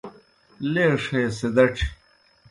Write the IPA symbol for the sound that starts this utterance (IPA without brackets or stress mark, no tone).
l